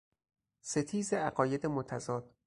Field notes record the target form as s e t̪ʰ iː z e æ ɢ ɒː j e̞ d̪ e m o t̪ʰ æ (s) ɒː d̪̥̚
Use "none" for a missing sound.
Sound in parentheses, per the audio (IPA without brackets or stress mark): z